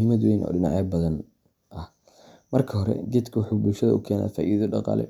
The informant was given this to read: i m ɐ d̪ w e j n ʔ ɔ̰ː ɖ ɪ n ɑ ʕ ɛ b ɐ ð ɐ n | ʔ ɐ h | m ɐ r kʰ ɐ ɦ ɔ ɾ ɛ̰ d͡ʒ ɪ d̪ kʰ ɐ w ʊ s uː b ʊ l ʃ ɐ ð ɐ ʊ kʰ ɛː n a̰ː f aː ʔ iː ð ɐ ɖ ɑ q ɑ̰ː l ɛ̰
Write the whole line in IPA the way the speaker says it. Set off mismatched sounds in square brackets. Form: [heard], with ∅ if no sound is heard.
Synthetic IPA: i m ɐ d̪ w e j n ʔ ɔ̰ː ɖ ɪ n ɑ ʕ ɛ b ɐ ð ɐ n | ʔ ɐ h | m ɐ r kʰ ɐ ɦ ɔ ɾ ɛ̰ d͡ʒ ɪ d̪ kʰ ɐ w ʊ [ħ] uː b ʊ l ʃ ɐ ð ɐ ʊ kʰ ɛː n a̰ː f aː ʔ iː ð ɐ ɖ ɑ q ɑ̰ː l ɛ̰